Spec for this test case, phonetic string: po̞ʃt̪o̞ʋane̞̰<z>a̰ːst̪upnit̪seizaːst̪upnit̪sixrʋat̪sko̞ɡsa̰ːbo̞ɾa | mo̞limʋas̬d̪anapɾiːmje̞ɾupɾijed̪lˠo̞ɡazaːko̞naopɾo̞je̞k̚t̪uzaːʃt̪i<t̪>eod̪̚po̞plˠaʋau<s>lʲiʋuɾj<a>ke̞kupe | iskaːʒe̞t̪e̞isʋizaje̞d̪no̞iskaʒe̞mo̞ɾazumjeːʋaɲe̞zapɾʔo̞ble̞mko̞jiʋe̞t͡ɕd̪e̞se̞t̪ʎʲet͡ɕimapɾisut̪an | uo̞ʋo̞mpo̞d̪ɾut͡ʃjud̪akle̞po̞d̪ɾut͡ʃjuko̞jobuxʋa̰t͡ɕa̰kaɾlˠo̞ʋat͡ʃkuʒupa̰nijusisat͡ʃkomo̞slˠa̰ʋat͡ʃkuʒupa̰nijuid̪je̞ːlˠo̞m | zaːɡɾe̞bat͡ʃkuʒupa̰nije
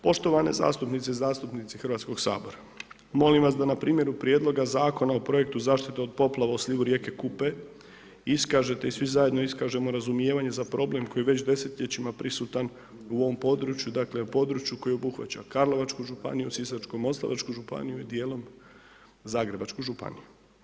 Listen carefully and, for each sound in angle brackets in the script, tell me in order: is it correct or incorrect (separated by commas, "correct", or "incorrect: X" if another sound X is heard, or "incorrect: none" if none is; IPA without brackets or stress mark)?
correct, correct, correct, incorrect: e